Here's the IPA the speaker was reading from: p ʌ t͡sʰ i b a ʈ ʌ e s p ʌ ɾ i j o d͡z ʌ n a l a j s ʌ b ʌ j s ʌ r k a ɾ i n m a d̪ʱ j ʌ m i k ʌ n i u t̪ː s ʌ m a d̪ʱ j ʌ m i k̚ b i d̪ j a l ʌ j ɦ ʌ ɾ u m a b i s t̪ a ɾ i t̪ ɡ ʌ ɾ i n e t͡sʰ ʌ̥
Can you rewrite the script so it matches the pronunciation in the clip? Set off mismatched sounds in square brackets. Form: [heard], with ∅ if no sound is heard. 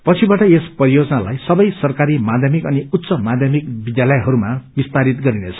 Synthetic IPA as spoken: p ʌ t͡sʰ i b a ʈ ʌ e s p ʌ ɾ i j o d͡z ʌ n a l a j s ʌ b ʌ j s ʌ r k a ɾ i [∅] m a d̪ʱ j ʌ m i k ʌ n i u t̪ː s ʌ m a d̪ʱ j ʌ m i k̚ b i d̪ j a l ʌ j ɦ ʌ ɾ u m a b i s t̪ a ɾ i t̪ ɡ ʌ ɾ i n e t͡sʰ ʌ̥